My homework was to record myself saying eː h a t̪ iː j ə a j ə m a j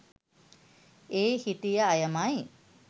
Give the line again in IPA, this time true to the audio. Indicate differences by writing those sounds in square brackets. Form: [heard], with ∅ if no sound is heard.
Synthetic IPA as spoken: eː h [i] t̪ [i] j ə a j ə m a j